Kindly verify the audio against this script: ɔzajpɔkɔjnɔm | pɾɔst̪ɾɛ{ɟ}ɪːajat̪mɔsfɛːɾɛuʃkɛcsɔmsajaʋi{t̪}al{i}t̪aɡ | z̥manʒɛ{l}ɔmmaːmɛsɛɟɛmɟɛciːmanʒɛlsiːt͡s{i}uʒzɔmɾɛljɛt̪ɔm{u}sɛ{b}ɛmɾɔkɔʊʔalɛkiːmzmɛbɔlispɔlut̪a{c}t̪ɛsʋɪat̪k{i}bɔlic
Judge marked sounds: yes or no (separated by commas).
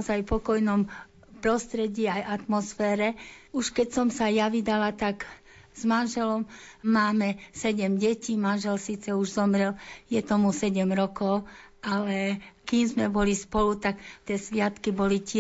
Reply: yes, no, no, yes, no, yes, no, no, yes